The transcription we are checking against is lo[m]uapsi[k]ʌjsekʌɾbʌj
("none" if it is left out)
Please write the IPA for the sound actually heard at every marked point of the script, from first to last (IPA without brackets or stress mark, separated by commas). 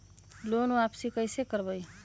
n, k